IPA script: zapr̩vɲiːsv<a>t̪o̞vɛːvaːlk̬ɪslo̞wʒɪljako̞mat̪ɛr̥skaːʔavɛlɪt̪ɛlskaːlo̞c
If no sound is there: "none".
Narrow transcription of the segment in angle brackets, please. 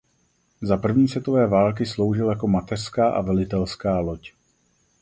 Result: ɛ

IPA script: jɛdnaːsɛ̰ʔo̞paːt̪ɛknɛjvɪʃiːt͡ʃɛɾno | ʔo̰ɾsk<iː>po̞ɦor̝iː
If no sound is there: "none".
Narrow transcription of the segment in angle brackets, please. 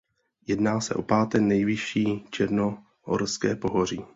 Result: ɛː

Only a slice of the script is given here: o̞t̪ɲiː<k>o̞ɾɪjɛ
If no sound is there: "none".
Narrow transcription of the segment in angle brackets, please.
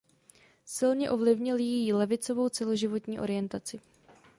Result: ʔ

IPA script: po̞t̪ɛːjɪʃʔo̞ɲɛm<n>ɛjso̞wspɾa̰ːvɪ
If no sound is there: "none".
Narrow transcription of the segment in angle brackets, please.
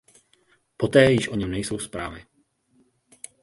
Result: n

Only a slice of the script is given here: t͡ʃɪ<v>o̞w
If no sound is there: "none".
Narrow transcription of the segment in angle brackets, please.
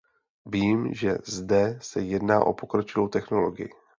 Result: v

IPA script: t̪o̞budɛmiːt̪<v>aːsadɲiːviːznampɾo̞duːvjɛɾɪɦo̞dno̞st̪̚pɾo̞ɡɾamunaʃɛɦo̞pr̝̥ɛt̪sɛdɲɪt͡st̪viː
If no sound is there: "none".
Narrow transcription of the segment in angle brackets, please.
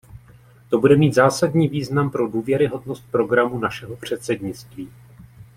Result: z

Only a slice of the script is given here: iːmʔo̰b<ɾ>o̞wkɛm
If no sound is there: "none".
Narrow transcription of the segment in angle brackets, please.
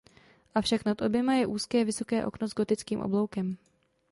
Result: l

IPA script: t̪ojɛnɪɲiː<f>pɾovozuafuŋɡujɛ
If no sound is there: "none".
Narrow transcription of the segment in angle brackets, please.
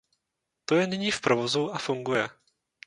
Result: f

